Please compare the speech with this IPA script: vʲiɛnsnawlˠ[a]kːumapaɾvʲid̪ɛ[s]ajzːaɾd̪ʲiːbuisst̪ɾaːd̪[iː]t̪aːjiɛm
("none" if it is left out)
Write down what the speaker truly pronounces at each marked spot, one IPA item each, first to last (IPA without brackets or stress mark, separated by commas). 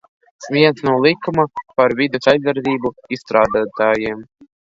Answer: i, s, aː